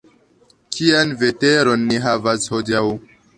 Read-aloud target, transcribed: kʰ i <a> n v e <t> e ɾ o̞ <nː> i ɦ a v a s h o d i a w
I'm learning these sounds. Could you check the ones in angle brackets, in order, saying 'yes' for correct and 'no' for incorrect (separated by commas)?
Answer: yes, yes, yes